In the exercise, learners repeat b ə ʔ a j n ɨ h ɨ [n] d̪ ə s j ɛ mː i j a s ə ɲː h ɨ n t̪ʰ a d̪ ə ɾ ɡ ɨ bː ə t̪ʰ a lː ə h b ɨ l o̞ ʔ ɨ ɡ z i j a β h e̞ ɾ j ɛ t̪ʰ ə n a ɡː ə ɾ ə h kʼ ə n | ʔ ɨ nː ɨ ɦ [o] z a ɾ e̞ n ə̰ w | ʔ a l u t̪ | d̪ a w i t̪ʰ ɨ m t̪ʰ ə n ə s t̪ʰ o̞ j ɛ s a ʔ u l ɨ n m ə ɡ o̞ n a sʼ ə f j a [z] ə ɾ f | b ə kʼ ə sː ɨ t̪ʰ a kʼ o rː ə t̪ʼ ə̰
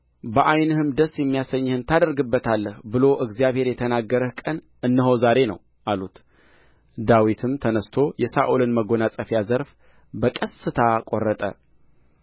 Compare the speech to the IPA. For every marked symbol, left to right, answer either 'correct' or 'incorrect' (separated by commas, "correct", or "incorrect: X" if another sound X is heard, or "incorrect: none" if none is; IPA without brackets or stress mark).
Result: incorrect: m, correct, correct